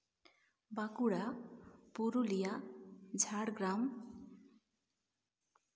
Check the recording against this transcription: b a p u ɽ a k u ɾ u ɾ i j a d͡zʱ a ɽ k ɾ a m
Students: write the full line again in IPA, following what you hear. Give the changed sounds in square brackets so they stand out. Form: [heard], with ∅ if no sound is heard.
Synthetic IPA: b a [k] u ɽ a [p] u ɾ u [l] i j a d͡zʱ a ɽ [ɡ] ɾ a m